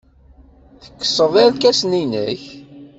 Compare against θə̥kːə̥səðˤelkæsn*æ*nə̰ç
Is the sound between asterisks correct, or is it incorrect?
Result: incorrect